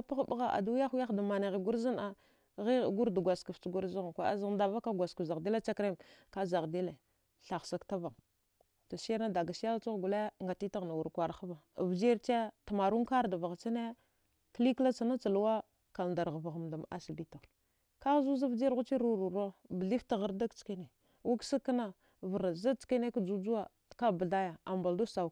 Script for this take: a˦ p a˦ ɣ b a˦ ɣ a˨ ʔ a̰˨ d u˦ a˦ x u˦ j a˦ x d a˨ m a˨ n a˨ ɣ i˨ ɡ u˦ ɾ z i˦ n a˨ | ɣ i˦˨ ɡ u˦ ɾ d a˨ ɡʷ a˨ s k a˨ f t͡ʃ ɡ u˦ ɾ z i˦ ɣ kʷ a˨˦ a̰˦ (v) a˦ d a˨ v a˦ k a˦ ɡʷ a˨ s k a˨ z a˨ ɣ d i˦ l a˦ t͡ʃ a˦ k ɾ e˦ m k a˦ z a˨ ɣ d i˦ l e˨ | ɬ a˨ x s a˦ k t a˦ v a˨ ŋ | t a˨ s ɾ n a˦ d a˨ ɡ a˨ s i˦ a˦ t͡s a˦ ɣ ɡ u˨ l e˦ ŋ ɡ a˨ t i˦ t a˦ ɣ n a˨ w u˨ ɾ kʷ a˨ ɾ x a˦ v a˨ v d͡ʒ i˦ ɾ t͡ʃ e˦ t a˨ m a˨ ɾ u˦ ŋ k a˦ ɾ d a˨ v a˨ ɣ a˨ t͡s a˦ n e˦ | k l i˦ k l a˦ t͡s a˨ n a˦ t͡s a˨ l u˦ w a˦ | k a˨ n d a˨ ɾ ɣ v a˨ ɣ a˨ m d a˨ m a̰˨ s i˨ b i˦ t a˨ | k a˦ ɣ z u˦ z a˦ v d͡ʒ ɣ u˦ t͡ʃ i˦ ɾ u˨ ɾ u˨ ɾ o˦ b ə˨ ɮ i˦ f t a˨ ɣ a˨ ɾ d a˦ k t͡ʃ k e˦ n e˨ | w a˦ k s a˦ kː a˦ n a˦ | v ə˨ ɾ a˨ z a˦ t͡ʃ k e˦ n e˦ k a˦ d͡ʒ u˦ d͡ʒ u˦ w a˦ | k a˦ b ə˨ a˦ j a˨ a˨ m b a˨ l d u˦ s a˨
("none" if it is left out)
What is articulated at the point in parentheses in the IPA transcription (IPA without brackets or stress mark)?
z